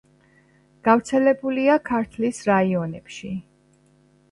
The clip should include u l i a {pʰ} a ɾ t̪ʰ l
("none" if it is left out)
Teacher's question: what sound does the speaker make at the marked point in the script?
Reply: kʰ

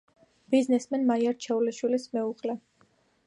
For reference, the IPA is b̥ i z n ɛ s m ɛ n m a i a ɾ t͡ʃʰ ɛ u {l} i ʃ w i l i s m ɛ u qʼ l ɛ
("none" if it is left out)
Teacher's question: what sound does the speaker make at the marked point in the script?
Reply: l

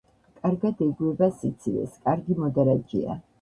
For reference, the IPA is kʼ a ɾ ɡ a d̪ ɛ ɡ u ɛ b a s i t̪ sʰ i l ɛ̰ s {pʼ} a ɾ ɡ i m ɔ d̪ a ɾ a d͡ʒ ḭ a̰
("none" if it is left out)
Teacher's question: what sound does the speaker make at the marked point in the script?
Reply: kʼ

